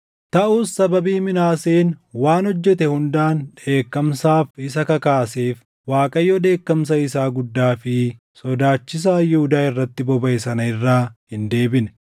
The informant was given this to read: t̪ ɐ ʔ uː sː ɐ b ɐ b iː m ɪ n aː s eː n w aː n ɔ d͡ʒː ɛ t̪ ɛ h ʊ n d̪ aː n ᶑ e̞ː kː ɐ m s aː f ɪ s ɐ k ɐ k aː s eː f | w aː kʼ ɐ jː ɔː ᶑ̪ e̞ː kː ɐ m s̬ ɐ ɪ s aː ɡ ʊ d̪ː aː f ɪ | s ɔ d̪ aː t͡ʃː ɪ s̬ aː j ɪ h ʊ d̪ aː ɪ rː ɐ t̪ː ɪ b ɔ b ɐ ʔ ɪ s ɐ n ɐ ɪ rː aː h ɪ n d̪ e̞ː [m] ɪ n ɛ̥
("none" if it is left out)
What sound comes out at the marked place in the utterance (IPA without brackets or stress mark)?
b